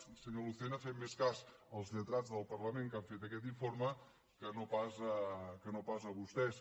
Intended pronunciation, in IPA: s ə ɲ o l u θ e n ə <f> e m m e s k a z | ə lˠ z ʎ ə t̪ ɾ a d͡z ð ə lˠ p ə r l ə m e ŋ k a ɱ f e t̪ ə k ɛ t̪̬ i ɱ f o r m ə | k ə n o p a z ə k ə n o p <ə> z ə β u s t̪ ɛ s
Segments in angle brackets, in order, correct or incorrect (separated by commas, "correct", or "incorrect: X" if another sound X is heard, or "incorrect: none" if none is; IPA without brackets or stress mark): correct, incorrect: a